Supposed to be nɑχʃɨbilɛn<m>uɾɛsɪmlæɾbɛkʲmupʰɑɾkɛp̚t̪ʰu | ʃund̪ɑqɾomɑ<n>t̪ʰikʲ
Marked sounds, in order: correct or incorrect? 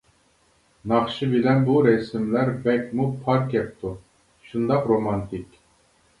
incorrect: b, correct

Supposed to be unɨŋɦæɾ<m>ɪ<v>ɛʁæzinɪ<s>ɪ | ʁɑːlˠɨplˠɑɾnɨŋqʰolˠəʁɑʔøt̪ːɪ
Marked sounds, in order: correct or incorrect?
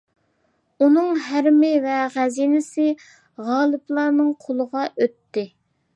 correct, correct, correct

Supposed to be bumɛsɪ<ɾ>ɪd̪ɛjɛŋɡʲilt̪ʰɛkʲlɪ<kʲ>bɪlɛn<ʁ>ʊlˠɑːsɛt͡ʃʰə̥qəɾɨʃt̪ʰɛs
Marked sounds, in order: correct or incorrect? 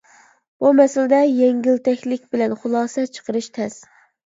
incorrect: l, correct, incorrect: χ

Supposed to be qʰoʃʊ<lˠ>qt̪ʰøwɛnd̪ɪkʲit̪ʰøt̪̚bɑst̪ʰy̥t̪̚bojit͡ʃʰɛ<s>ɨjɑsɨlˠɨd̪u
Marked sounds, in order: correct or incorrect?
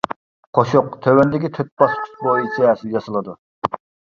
incorrect: none, correct

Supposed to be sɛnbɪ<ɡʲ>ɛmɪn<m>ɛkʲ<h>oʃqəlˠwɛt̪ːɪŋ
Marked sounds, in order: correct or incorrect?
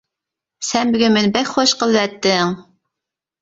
correct, incorrect: b, incorrect: χ

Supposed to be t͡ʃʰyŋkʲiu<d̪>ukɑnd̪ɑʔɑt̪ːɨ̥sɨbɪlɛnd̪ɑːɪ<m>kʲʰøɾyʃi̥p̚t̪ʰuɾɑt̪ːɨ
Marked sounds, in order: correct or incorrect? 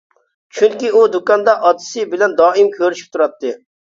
correct, correct

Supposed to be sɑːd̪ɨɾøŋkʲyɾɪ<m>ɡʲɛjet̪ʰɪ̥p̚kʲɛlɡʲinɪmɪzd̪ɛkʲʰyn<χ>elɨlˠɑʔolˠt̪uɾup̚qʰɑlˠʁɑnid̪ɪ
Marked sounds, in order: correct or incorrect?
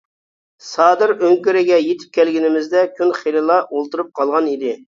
incorrect: none, correct

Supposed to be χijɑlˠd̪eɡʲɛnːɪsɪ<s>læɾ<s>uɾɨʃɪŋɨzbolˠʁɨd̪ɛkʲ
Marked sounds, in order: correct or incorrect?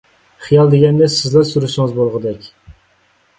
incorrect: z, correct

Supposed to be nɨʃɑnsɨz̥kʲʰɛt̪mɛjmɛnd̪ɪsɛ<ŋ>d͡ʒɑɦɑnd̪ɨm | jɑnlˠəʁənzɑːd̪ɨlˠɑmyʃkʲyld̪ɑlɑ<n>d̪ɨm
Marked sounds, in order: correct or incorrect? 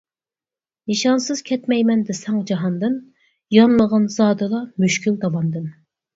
correct, correct

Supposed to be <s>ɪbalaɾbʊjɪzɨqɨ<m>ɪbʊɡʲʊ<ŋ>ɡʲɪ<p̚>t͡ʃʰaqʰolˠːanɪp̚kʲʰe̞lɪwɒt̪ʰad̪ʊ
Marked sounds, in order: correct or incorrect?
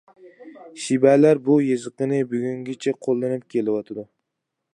incorrect: ʃ, incorrect: n, correct, incorrect: none

